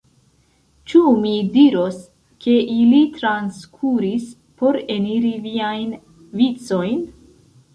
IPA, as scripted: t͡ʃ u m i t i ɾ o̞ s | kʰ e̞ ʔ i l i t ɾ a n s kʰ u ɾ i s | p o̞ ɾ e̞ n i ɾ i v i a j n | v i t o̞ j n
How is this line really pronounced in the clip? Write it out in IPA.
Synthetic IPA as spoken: t͡ʃ u m i d i ɾ o̞ s | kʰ e̞ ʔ i l i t ɾ a n s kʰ u ɾ i s | p o̞ ɾ e̞ n i ɾ i v i a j n | v i t͡s o̞ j n